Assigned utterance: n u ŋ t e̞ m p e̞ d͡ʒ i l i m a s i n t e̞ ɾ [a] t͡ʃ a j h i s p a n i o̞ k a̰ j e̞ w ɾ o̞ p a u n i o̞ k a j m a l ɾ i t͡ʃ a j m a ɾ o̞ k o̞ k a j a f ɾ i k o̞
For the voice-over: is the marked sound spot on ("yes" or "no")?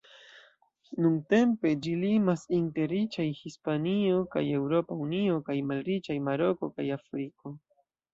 no